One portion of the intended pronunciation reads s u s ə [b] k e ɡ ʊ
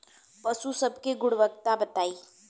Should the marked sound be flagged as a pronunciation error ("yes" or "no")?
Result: no